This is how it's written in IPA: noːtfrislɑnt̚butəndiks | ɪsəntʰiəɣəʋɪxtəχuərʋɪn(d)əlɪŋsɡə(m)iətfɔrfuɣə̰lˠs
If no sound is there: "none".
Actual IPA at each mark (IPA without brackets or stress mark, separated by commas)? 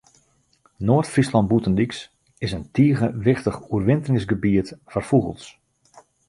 t, b